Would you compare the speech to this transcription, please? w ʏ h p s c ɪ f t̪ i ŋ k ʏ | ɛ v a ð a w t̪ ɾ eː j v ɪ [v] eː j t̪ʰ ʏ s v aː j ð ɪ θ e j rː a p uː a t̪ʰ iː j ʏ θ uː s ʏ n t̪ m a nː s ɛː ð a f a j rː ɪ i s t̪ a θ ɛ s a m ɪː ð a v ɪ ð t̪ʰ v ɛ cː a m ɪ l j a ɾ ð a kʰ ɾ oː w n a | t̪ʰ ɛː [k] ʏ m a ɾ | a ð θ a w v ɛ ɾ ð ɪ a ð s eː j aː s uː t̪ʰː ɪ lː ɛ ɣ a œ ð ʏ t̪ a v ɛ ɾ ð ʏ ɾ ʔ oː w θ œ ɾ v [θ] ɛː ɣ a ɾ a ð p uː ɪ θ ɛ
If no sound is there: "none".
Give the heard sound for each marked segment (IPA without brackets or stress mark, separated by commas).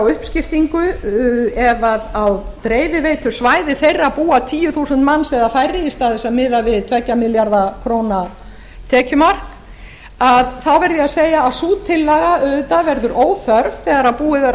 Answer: v, c, θ